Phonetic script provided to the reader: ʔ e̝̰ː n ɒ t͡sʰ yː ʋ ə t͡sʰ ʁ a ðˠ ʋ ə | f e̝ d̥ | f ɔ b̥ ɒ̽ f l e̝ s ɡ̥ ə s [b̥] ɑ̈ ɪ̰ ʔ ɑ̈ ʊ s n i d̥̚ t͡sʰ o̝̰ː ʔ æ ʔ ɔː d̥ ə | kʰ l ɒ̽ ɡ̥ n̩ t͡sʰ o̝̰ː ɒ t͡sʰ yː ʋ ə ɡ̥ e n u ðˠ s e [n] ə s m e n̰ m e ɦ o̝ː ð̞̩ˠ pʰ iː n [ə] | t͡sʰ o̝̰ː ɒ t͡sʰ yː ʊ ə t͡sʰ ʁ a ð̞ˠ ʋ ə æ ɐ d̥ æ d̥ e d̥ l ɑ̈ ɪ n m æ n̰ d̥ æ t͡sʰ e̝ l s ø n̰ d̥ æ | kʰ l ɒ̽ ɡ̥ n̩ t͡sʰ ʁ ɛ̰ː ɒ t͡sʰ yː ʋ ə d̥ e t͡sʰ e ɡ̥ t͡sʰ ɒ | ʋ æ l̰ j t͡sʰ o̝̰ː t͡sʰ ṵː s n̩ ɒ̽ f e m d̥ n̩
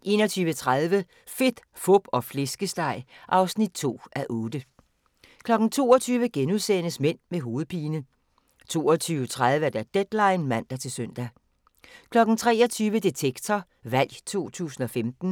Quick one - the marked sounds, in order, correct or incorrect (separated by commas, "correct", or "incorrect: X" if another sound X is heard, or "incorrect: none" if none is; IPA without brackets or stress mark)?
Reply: incorrect: d̥, correct, correct